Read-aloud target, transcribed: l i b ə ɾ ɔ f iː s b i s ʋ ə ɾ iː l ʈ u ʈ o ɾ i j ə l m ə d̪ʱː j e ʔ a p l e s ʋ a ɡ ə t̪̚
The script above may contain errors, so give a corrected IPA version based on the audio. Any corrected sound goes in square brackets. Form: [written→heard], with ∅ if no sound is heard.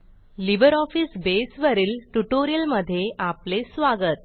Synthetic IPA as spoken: l i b ə ɾ ɔ f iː s b [i→e] s ʋ ə ɾ iː l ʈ u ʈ o ɾ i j ə l m ə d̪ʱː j e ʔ a p l e s ʋ a ɡ ə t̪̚